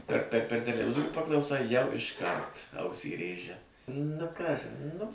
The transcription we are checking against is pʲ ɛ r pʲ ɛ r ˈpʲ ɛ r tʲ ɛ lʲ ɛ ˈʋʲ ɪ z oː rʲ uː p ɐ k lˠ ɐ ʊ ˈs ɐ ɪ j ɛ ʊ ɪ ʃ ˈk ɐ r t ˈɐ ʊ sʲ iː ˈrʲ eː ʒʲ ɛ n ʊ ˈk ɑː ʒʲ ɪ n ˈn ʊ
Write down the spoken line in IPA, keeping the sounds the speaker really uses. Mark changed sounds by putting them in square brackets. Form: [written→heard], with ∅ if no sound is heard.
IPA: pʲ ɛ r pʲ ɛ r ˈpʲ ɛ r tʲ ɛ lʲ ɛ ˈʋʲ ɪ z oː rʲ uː p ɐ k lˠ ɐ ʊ ˈs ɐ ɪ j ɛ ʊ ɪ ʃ ˈk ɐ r t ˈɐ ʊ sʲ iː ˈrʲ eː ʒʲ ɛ n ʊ ˈk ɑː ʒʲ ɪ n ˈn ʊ